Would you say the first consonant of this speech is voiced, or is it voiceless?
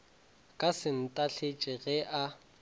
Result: voiceless